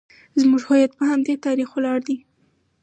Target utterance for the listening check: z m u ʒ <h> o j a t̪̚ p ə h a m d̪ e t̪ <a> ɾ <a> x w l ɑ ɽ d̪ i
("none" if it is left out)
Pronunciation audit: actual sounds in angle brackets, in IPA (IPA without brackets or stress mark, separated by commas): h, ɑ, i